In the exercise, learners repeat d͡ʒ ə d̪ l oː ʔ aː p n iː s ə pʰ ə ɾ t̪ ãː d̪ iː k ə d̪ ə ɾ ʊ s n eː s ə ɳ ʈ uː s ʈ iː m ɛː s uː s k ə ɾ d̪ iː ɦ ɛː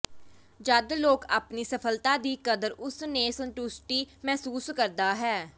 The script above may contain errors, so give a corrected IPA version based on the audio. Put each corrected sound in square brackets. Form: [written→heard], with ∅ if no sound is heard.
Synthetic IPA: d͡ʒ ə d̪ l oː [ʔ→k] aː p n iː s ə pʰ ə [ɾ→l] t̪ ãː d̪ iː k ə d̪ ə ɾ ʊ s n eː s ə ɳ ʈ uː s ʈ iː m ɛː s uː s k ə ɾ d̪ [iː→aː] ɦ ɛː